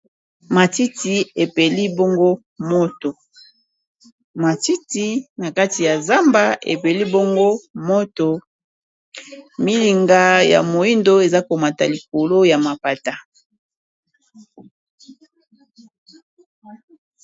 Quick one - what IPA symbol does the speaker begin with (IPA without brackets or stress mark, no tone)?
m